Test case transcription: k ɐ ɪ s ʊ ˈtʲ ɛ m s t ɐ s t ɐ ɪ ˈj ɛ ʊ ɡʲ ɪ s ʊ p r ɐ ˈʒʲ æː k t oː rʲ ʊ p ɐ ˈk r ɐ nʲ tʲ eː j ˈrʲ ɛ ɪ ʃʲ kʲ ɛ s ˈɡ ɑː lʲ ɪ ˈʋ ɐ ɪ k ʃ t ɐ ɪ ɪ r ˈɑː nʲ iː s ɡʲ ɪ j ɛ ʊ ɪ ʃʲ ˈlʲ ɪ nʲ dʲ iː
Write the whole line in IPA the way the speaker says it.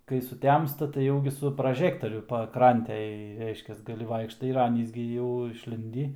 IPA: k ɐ ɪ s ʊ ˈtʲ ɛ m s t ɐ t ɐ ɪ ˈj ɛ ʊ ɡʲ ɪ s ʊ p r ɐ ˈʒʲ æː k t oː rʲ ʊ p ɐ ˈk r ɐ nʲ tʲ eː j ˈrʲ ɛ ɪ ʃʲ kʲ ɛ s ˈɡ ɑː lʲ ɪ ˈʋ ɐ ɪ k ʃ t ɐ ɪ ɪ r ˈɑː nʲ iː s ɡʲ ɪ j ɛ ʊ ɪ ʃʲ ˈlʲ ɪ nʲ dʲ iː